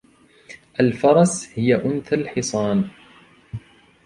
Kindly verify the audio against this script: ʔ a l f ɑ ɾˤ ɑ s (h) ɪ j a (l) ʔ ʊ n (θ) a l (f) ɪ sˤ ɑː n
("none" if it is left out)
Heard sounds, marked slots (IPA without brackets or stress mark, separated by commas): h, none, θ, ħ